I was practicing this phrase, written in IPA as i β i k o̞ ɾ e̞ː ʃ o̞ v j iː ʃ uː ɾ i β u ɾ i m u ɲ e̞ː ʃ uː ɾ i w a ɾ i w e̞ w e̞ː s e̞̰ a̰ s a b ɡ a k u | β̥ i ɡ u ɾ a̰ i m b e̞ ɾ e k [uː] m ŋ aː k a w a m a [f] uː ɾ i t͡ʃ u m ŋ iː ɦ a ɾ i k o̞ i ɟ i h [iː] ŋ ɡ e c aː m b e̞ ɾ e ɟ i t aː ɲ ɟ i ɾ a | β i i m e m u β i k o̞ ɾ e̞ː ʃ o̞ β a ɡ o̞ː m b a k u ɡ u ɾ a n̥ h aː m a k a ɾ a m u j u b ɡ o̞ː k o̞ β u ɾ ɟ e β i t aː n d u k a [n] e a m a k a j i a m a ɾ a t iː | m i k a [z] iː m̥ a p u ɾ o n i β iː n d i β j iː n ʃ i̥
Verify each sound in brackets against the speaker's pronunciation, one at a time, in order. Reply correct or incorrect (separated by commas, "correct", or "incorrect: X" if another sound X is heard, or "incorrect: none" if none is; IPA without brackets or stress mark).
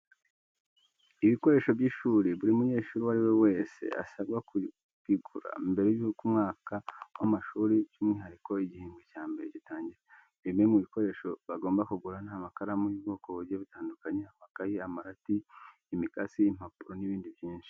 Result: incorrect: u, incorrect: ʃ, correct, incorrect: ɲ, incorrect: s